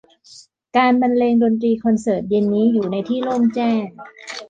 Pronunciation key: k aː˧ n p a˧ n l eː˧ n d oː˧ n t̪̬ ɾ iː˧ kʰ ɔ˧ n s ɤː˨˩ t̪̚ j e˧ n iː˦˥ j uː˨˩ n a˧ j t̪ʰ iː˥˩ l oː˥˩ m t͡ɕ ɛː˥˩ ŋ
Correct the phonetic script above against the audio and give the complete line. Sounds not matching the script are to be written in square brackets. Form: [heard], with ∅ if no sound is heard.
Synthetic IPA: k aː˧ n [b] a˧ n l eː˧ [ŋ] d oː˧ n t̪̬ ɾ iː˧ kʰ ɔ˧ n s ɤː˨˩ t̪̚ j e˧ [nː] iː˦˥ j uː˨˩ n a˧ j t̪ʰ iː˥˩ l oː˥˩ m t͡ɕ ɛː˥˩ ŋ